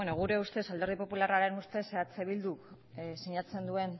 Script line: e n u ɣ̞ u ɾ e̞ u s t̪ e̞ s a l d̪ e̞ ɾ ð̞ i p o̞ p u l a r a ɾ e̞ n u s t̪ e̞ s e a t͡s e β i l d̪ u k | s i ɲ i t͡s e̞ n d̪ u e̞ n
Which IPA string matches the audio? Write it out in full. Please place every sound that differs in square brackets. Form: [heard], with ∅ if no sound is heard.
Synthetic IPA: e n [o] ɣ̞ u ɾ e̞ u s t̪ e̞ s a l d̪ e̞ ɾ ð̞ i p o̞ p u l a r a ɾ e̞ n u s t̪ e̞ s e a t͡s e β i l d̪ u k | s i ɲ [a] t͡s e̞ n d̪ u e̞ n